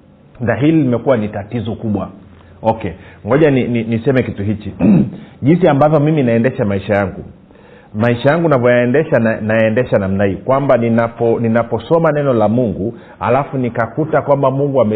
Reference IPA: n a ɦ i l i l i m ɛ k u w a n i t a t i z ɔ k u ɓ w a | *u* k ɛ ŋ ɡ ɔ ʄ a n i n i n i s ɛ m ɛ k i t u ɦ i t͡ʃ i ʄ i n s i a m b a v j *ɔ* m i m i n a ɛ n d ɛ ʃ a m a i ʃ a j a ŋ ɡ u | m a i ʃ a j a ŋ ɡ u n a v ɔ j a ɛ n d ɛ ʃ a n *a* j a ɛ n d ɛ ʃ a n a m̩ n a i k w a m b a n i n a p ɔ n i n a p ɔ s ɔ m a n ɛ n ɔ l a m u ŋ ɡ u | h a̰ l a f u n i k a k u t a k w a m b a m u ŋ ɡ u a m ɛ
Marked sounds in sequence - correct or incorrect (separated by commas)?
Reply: incorrect, correct, correct